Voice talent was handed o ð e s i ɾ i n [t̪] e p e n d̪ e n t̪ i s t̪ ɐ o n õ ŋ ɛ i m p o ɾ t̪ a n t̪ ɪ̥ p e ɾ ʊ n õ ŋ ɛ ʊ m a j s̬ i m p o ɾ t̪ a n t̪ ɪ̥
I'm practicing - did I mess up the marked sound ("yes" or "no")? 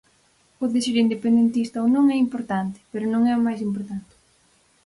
yes